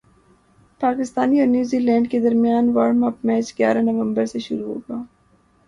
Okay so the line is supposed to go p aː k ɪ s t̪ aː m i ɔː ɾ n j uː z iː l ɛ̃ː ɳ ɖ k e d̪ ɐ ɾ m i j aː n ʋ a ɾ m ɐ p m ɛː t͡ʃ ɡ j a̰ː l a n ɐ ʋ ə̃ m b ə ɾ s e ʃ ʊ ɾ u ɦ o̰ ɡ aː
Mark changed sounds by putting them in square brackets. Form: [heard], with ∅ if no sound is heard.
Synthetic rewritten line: p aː k ɪ s t̪ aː [n] i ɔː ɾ n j uː z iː l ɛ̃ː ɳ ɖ k e d̪ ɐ ɾ m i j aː n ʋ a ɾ m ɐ p m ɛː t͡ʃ ɡ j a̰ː [ɾ] a n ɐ ʋ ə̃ m b ə ɾ s e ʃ ʊ ɾ u ɦ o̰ ɡ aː